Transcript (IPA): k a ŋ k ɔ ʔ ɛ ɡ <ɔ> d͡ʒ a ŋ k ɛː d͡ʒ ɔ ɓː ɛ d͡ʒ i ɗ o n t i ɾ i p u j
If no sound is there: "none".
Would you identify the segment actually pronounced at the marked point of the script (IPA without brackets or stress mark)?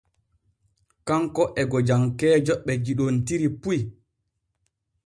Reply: ɔ